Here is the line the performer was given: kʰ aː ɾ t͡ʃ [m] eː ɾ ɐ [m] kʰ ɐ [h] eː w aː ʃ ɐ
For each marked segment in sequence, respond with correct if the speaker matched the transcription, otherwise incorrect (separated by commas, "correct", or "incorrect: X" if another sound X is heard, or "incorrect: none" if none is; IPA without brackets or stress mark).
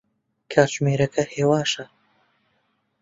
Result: correct, incorrect: none, correct